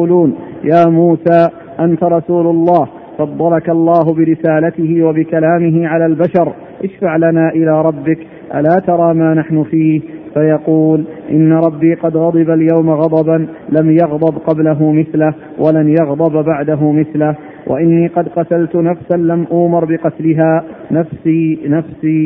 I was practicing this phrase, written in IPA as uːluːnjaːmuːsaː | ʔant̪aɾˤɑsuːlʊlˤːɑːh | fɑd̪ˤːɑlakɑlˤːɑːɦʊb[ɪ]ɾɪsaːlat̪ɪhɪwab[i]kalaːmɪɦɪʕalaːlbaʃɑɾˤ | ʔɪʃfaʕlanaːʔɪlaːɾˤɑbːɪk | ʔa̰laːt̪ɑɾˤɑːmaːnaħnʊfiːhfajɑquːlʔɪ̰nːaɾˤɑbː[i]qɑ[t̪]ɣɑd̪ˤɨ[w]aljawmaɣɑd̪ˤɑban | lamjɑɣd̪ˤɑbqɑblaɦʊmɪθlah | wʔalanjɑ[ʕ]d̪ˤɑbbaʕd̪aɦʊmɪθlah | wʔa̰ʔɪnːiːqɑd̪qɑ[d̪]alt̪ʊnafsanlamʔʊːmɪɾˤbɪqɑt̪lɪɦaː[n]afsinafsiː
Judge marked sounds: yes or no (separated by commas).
yes, no, no, no, no, no, no, yes